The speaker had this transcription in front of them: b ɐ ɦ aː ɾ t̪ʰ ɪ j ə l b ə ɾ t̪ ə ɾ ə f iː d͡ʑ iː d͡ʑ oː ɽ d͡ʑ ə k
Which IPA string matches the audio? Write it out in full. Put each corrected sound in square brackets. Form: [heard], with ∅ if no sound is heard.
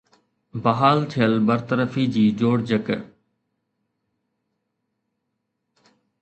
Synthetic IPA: b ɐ ɦ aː [l] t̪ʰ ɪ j ə l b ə ɾ t̪ ə ɾ ə f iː d͡ʑ iː d͡ʑ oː ɽ d͡ʑ ə k